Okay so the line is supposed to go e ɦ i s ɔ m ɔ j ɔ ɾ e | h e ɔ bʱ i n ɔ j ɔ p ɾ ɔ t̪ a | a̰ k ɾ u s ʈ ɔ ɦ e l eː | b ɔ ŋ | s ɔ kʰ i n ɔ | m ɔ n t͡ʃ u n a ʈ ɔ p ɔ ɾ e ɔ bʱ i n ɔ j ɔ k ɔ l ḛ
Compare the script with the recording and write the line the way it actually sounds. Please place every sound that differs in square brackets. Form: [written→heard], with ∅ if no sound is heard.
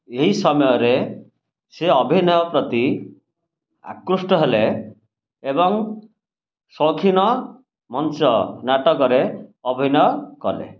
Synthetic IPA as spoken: e ɦ i s ɔ m ɔ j ɔ ɾ e | [h→s] e ɔ bʱ i n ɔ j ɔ p ɾ ɔ t̪ [a→i] | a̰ k ɾ u s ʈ ɔ ɦ e l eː | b ɔ ŋ | s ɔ kʰ i n ɔ | m ɔ n t͡ʃ [u→ɔ] n a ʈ ɔ [p→k] ɔ ɾ e ɔ bʱ i n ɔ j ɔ k ɔ l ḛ